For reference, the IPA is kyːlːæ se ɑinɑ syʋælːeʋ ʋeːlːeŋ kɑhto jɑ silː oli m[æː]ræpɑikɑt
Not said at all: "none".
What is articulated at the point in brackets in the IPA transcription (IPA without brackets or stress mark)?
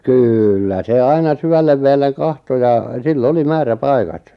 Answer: æː